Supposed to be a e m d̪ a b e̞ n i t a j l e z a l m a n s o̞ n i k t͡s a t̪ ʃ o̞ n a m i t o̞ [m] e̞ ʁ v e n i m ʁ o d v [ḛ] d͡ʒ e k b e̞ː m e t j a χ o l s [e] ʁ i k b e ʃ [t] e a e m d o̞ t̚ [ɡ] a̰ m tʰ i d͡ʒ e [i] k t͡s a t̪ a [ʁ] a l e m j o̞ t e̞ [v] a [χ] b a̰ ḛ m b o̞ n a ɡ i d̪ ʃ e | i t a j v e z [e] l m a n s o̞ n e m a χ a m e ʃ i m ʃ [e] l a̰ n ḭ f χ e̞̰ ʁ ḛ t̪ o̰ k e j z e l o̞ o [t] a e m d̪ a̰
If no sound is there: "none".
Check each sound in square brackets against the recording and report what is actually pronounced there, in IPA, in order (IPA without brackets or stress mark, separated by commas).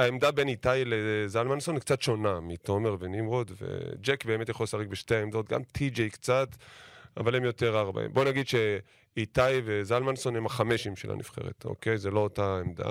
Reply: m, ḛ, a, t, ɡ, j, v, ʁ, ʁ, a, e, t